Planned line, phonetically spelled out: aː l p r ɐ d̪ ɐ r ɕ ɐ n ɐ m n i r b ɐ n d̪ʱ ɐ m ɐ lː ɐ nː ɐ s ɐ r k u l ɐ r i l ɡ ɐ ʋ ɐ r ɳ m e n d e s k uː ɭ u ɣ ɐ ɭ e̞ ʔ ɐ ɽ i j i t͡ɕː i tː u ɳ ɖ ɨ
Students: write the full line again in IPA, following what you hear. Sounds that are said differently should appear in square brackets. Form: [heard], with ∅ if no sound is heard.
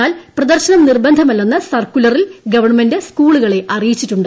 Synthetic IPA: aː l p r ɐ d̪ ɐ r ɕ ɐ n ɐ m n i r b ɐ n d̪ʱ ɐ m ɐ lː ɐ nː ɐ s ɐ r k u l ɐ r i l ɡ ɐ ʋ ɐ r ɳ m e n d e s k uː ɭ u ɣ ɐ ɭ e̞ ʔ ɐ [r] i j i t͡ɕː i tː u ɳ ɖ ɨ